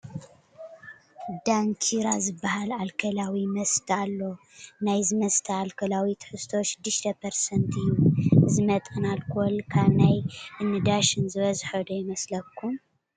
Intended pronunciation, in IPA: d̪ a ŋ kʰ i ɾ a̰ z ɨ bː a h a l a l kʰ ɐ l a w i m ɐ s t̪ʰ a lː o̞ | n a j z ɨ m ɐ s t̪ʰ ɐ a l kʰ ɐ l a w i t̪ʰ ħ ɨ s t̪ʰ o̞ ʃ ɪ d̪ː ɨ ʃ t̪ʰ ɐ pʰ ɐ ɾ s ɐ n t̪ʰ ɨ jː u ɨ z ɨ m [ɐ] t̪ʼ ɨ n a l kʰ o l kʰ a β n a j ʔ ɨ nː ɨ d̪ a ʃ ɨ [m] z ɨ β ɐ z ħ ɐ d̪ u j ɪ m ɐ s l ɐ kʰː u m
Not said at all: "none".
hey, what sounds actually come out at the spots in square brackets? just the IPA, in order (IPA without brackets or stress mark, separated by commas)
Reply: ɐ, n